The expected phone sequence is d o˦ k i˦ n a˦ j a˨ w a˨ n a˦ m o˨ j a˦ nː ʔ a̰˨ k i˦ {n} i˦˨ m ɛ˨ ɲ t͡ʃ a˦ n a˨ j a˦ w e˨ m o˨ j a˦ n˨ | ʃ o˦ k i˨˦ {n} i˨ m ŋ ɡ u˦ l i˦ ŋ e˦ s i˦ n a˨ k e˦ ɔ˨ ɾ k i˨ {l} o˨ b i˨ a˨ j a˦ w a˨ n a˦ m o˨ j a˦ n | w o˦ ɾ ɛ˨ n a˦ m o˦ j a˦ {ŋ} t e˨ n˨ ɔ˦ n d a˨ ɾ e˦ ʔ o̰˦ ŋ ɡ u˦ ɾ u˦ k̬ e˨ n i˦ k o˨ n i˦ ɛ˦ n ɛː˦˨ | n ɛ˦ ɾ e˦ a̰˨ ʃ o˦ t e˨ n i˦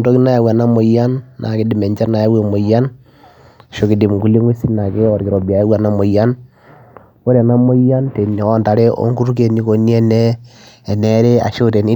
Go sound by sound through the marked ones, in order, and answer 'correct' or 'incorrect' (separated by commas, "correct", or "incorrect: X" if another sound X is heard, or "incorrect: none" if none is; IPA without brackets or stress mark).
incorrect: d, incorrect: d, incorrect: ɾ, incorrect: n